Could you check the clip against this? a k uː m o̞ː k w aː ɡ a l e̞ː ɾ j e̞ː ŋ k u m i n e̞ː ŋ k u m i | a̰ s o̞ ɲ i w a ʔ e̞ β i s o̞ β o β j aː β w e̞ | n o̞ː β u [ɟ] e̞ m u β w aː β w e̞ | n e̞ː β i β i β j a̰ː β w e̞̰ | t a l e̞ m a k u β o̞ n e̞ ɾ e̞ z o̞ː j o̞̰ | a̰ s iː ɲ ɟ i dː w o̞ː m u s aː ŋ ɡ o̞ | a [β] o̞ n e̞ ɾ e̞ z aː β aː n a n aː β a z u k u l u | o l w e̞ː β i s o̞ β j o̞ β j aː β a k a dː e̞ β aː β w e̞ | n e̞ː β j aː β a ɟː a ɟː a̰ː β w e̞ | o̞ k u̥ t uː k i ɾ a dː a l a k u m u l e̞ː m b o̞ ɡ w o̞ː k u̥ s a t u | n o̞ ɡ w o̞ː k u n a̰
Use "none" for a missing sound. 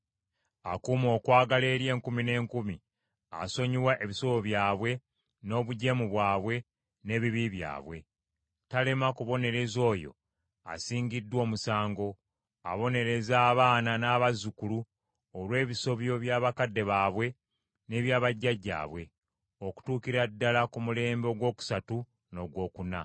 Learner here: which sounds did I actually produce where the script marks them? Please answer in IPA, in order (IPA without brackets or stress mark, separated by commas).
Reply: ɟ, β